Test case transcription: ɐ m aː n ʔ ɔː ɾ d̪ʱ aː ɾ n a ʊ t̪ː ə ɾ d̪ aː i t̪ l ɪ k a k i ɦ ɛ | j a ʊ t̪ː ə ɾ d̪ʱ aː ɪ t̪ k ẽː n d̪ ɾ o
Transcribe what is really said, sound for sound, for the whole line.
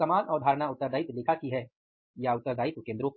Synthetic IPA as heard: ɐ m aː n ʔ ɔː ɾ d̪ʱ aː ɾ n a ʊ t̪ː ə ɾ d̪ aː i t̪ l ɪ kʰ a k i ɦ ɛ | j a ʊ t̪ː ə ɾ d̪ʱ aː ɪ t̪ k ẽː n d̪ ɾ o